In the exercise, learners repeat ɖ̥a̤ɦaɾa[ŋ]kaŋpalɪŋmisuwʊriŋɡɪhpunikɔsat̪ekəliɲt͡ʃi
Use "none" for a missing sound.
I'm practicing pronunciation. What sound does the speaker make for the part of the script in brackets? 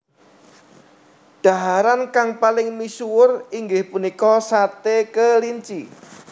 n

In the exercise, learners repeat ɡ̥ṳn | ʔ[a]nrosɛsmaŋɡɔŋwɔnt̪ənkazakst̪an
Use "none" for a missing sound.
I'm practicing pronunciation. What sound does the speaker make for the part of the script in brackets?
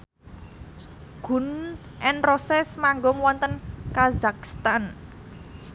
ɛ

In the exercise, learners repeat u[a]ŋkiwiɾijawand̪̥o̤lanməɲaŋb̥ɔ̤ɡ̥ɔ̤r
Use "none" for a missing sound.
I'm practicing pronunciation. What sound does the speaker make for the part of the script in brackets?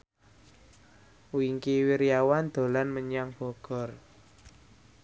i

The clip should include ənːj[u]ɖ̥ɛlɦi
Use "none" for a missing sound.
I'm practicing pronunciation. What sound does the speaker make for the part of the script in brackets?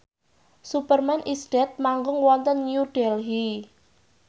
u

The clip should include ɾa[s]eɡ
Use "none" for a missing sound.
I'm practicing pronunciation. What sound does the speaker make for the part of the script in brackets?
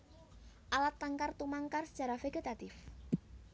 f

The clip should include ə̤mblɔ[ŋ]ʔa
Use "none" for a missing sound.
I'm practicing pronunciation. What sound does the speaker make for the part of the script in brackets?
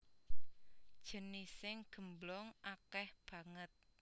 ŋ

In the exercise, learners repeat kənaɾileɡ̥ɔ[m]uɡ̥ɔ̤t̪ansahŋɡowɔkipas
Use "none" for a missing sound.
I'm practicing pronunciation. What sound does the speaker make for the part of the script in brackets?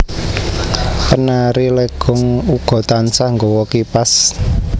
ŋ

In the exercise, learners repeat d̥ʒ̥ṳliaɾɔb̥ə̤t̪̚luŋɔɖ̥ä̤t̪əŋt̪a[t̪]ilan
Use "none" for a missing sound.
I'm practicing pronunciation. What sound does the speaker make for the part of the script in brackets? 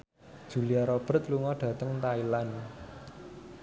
none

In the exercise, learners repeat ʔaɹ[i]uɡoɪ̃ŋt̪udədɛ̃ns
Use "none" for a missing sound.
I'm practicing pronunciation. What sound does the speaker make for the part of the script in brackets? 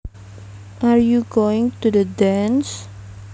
j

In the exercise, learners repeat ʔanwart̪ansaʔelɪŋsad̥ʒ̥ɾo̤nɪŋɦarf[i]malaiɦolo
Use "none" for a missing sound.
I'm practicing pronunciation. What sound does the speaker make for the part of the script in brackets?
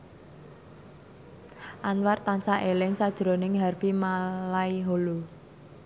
i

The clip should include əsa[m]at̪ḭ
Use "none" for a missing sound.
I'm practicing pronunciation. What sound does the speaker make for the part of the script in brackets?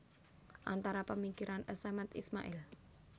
m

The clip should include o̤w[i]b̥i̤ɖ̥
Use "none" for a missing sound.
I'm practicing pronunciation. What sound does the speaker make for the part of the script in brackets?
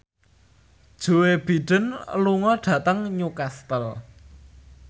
e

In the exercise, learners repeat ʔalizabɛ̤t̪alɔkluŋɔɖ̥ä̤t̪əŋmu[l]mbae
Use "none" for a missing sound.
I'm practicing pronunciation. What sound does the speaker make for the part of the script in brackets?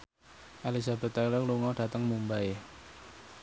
none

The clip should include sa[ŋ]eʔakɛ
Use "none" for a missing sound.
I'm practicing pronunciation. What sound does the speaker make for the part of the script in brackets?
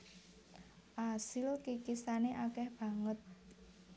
n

